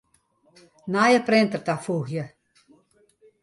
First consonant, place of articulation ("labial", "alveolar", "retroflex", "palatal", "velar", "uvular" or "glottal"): alveolar